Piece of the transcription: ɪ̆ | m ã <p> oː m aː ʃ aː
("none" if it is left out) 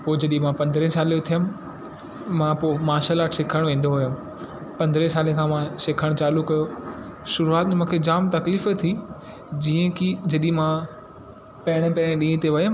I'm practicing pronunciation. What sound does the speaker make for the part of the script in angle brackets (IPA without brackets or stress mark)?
p